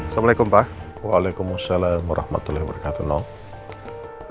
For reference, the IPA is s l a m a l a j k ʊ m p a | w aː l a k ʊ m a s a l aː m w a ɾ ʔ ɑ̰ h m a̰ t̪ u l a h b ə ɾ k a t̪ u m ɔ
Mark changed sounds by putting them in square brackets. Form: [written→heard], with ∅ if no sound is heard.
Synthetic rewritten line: s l a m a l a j k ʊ m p a | w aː l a k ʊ m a s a l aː m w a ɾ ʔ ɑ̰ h m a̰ t̪ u l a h b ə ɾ k a t̪ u [m→n] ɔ